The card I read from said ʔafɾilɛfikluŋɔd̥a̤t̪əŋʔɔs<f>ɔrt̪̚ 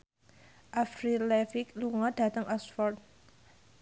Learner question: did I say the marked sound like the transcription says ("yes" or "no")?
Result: yes